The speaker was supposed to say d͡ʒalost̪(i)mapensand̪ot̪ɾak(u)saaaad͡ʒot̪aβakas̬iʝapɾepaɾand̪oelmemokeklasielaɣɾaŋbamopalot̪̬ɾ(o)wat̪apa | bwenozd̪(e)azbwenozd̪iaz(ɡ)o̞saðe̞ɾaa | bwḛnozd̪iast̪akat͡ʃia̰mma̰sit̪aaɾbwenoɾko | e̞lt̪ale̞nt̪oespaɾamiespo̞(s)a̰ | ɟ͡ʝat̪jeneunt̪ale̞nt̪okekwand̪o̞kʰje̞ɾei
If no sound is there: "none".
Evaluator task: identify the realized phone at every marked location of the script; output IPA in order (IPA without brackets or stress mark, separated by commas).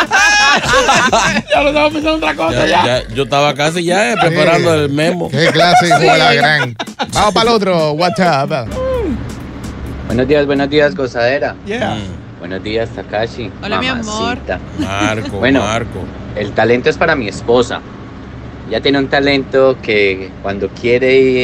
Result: a, o, o, i, ɡ, s